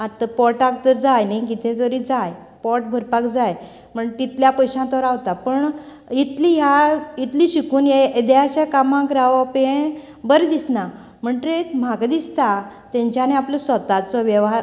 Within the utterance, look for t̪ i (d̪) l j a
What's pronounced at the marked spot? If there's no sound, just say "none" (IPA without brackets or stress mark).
t̪